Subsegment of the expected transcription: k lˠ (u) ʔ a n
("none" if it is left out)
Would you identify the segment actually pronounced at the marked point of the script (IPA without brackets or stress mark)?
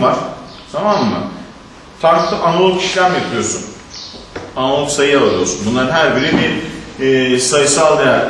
ɯ